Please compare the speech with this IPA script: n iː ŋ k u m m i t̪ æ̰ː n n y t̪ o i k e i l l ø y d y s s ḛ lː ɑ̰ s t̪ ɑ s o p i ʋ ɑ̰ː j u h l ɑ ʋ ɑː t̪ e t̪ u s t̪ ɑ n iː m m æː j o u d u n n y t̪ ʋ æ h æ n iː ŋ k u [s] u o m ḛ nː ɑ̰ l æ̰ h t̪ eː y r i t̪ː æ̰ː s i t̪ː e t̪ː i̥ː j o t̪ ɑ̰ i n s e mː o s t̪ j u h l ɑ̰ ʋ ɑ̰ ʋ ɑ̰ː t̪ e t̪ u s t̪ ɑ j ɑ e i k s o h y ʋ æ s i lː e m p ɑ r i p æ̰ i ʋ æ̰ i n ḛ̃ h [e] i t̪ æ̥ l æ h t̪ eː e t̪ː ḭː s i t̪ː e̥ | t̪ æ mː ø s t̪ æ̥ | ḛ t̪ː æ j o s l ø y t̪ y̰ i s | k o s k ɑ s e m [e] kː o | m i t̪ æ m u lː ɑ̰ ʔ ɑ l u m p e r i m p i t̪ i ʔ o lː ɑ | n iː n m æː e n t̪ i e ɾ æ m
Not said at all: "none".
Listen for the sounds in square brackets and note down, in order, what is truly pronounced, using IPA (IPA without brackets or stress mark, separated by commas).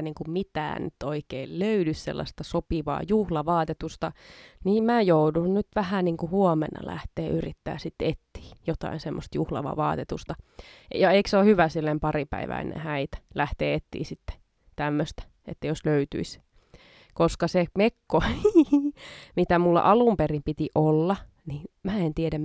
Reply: h, æ, e